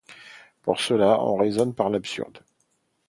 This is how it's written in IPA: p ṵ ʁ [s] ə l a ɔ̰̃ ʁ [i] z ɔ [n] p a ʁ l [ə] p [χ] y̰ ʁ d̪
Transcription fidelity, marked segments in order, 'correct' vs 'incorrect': correct, incorrect: e, correct, incorrect: a, incorrect: s

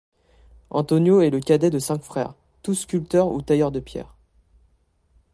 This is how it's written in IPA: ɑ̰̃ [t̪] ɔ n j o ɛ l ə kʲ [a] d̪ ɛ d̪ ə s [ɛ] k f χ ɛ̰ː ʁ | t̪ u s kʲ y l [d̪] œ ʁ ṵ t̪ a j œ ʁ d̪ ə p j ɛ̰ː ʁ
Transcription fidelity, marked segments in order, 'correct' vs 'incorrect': correct, correct, incorrect: ɛ̃, incorrect: t̪

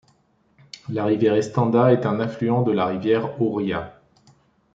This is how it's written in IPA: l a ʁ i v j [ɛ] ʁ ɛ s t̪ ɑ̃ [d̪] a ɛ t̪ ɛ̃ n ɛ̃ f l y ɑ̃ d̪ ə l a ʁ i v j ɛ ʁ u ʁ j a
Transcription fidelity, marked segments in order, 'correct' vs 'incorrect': correct, correct

